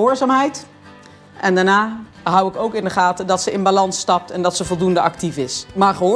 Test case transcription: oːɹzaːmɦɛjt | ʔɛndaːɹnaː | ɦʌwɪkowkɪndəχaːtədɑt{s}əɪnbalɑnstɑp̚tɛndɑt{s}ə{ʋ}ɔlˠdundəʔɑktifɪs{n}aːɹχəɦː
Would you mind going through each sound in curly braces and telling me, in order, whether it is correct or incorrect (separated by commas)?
correct, correct, incorrect, incorrect